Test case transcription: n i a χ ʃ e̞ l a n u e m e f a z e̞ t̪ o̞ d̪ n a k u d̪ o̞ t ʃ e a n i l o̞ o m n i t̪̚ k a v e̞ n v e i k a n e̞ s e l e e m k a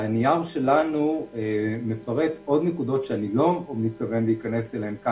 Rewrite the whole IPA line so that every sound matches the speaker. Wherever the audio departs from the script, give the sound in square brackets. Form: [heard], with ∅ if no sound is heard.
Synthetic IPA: n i a [ʁ] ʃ e̞ l a n u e m e f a [ʁ] e̞ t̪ o̞ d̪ n [e] k u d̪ o̞ t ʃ e a n i l o̞ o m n i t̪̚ k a v e̞ n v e i k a n e̞ s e l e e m k a